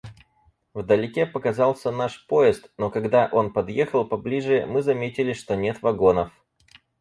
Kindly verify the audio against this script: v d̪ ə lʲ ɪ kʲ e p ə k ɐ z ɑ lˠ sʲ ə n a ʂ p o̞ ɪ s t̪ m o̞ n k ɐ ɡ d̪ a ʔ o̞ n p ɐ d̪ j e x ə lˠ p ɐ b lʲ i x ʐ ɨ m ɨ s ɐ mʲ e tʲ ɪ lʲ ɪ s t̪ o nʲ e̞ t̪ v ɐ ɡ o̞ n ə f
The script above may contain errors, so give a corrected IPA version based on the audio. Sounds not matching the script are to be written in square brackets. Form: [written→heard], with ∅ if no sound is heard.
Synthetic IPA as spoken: v d̪ ə lʲ ɪ kʲ e p ə k ɐ z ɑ lˠ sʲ ə n a ʂ p o̞ ɪ s t̪ [m→n] o̞ [n→∅] k ɐ ɡ d̪ a ʔ o̞ n p ɐ d̪ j e x ə lˠ p ɐ b lʲ i [x→∅] ʐ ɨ m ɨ [s→z] ɐ mʲ e tʲ ɪ lʲ ɪ [s→ʂ] t̪ o nʲ e̞ t̪ v ɐ ɡ o̞ n ə f